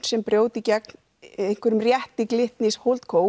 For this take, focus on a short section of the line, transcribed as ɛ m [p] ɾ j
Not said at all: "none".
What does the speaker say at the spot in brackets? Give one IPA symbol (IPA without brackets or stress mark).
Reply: p